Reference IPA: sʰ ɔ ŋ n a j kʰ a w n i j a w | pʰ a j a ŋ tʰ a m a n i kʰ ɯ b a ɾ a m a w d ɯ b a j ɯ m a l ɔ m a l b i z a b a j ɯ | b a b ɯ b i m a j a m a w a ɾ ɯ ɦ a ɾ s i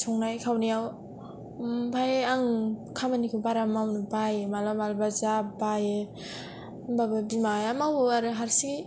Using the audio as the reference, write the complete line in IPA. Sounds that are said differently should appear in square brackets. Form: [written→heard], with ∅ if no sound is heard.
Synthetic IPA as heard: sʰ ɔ ŋ n a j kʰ a w n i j a w | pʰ a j a ŋ [tʰ→kʰ] a m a n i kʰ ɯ b a ɾ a m a w [d→n] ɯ b a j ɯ m a l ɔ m a l b [i→a] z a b a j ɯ | b a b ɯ b i m a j a m a w a ɾ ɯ ɦ a ɾ s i